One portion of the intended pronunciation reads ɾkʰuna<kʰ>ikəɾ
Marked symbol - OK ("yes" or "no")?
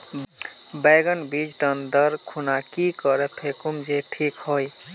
no